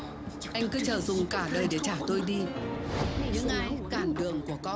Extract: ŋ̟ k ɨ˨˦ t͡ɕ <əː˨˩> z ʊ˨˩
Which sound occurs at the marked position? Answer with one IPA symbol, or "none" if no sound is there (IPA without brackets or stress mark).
əː˨˩